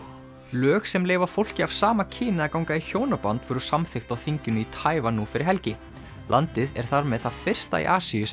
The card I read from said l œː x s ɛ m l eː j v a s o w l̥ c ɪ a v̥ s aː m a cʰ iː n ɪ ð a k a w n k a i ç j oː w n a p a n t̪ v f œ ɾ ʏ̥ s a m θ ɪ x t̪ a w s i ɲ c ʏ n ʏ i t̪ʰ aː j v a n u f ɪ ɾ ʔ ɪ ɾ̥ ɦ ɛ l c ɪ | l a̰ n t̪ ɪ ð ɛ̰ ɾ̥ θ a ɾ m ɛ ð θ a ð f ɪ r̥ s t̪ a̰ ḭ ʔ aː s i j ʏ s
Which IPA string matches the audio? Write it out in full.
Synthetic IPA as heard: l œː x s ɛ m l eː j v a f o w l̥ c ɪ a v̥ s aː m a cʰ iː n ɪ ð a k a w ŋ k a i ç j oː w n a p a n t̪ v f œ ɾ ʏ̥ s a m θ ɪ x t̪ a w θ i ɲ c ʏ n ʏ i t̪ʰ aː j v a n u f ɪ ɾ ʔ ɪ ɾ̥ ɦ ɛ l c ɪ | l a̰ n t̪ ɪ ð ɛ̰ ɾ̥ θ a ɾ m ɛ ð θ a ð f ɪ r̥ s t̪ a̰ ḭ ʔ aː s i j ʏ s